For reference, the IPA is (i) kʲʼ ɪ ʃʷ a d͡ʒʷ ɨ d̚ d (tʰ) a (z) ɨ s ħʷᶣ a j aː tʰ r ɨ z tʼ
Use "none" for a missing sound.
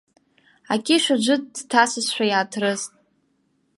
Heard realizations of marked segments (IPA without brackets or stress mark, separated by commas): a, tʰ, s